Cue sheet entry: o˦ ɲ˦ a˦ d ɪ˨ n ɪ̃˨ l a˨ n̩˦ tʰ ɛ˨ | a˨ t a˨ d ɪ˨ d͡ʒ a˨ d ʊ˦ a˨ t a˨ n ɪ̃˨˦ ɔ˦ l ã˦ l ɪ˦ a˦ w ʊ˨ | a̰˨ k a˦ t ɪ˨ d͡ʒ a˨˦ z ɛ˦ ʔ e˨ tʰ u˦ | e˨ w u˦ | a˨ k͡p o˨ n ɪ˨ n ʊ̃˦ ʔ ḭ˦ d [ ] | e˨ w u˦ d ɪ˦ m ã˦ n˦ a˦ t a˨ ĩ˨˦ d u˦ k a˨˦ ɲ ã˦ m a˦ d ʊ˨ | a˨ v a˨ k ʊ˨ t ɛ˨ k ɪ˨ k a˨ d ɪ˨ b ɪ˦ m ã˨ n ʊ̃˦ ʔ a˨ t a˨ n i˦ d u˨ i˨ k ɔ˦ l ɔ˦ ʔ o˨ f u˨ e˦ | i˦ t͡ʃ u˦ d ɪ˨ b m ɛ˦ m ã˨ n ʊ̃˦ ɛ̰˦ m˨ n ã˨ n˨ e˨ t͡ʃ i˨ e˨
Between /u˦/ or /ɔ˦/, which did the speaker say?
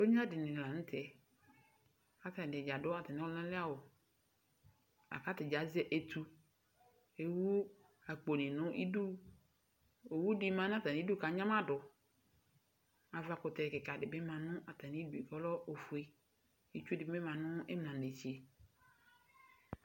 u˦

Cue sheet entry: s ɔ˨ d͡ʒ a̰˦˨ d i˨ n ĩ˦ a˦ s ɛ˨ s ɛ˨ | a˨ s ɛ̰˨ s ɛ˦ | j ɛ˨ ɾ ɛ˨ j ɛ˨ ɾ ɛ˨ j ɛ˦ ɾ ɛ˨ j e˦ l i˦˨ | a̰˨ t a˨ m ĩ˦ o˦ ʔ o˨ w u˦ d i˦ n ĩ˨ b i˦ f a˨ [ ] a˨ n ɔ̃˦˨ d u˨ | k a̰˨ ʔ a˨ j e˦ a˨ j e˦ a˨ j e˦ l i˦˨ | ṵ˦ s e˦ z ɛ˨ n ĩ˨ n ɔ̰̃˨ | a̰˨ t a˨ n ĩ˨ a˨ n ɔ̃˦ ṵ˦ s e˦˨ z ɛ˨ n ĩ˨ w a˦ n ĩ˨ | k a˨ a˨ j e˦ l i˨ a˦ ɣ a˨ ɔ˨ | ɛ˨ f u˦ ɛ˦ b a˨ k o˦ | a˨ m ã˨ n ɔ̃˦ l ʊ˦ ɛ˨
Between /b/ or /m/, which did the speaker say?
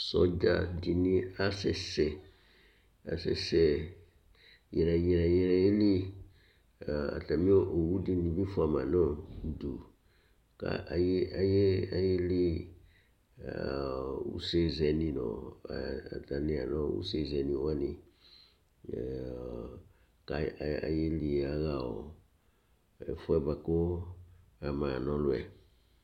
m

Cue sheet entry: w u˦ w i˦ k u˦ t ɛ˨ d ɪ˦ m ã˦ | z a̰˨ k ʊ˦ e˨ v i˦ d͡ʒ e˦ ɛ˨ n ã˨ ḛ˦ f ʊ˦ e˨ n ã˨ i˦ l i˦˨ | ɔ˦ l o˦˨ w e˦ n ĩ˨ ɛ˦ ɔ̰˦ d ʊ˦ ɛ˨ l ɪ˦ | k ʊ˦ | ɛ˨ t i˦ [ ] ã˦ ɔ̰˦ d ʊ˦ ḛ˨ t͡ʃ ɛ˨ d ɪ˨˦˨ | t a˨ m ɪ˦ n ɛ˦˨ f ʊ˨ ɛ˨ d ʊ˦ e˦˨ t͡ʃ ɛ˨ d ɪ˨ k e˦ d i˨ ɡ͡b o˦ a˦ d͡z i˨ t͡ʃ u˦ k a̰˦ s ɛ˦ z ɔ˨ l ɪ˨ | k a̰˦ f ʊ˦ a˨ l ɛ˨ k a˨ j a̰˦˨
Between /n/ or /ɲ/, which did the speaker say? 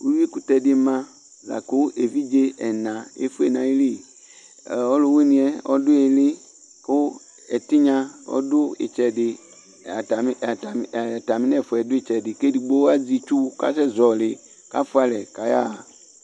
ɲ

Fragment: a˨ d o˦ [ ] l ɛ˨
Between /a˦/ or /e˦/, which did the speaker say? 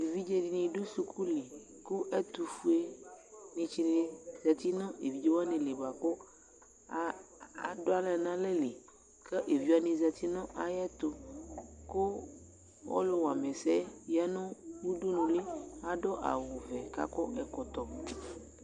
a˦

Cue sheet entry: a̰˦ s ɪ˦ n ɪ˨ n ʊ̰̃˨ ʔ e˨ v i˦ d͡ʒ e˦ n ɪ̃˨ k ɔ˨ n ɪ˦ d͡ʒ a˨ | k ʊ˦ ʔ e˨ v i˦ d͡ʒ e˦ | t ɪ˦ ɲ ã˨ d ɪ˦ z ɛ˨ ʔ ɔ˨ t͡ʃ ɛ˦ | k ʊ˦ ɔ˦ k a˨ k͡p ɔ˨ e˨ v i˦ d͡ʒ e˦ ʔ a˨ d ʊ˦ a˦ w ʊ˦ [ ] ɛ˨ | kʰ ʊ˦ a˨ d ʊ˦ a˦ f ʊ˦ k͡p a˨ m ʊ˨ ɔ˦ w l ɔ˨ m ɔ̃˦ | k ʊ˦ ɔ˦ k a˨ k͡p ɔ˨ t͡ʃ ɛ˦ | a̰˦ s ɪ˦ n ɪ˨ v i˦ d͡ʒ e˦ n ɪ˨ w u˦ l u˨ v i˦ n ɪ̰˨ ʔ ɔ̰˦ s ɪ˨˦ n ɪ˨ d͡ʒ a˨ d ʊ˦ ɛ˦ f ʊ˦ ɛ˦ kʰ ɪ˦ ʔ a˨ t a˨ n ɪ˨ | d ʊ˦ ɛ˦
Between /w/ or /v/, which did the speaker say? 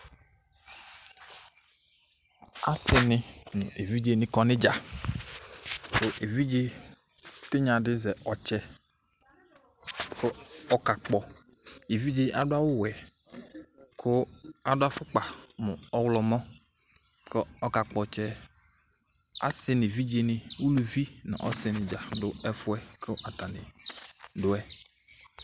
w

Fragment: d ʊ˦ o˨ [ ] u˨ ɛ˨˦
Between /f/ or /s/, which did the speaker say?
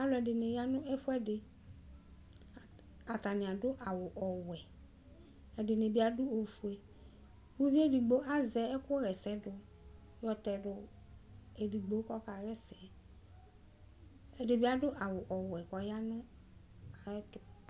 f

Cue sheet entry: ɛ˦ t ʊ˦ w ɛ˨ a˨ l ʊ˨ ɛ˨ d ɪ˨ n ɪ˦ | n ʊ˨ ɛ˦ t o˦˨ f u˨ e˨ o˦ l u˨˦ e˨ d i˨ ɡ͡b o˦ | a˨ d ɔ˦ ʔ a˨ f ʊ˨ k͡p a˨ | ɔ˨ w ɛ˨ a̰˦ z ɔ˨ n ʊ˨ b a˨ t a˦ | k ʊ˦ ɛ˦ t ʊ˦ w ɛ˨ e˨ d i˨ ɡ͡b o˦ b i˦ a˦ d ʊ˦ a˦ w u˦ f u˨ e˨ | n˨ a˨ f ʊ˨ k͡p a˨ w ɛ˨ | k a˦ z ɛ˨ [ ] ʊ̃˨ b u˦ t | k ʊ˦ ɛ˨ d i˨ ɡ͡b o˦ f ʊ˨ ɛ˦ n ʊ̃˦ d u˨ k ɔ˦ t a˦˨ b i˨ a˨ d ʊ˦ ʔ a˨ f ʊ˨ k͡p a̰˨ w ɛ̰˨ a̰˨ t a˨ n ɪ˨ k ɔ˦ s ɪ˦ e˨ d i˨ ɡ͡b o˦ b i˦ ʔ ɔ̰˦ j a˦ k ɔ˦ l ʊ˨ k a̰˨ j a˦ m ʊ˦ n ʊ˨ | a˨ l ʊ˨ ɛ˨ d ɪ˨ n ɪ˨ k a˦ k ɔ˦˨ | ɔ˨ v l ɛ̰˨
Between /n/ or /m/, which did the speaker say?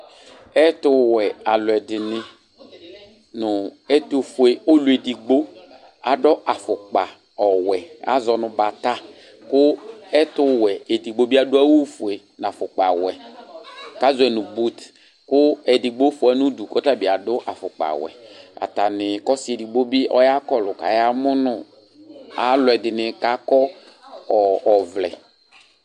n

